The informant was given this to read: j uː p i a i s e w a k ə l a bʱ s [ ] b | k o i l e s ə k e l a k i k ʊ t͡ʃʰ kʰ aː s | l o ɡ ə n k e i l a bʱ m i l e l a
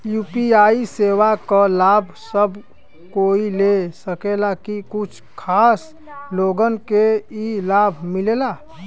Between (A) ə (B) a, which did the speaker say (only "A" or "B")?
A